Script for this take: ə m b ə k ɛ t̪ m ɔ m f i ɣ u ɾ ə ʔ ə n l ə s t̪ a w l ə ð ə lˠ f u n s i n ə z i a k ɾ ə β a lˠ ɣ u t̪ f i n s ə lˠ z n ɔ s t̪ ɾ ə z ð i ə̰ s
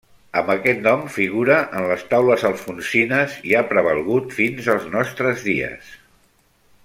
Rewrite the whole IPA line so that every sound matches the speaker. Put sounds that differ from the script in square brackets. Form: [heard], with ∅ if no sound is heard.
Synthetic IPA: ə m b ə k ɛ t̪ [n] ɔ m f i ɣ u ɾ ə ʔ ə n l ə s t̪ a w l ə [z] ə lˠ f u n s i n ə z i a [p] ɾ ə β [ə] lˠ ɣ u t̪ f i n [z] ə lˠ z n ɔ s t̪ ɾ ə z ð i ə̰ s